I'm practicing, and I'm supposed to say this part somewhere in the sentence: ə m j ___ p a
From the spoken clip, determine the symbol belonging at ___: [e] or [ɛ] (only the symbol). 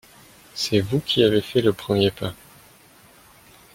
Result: e